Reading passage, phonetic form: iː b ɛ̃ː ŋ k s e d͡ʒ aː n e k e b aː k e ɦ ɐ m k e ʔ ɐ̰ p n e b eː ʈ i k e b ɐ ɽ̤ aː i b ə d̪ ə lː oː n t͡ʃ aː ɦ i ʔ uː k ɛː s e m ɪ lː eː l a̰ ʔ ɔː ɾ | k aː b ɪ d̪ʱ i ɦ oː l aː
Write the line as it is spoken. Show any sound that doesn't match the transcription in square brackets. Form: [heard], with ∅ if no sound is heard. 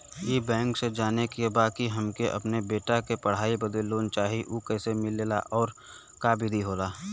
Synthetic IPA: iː b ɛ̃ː ŋ k s e d͡ʒ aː n e k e b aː k [i] ɦ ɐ m k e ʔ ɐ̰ p n e b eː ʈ [a] k e [p] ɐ ɽ̤ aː i b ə d̪ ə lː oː n t͡ʃ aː ɦ i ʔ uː k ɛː s e m ɪ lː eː l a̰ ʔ ɔː ɾ | k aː b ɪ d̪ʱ i ɦ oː l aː